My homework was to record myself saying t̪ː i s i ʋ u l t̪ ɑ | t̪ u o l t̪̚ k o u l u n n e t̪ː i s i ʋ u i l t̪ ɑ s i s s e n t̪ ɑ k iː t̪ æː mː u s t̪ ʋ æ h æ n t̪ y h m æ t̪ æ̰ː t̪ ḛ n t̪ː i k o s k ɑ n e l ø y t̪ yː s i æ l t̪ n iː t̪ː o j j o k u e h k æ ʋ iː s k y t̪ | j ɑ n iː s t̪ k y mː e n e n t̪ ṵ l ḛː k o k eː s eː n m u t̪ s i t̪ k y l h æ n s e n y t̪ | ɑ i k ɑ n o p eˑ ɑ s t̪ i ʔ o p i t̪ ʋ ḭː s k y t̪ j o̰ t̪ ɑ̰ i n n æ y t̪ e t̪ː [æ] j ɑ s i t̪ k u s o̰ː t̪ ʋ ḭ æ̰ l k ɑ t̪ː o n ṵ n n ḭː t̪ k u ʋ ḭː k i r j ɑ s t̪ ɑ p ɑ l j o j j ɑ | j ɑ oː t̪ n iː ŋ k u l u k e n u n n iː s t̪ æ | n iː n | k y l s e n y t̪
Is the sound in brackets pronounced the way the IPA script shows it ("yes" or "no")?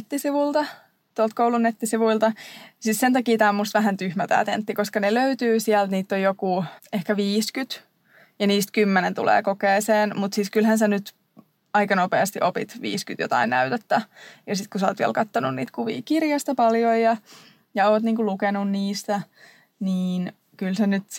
yes